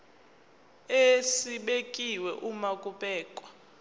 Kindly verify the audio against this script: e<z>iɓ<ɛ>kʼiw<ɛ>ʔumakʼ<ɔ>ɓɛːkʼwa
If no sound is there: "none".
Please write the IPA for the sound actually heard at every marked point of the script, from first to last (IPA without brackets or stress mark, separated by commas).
s, e, ɛ, u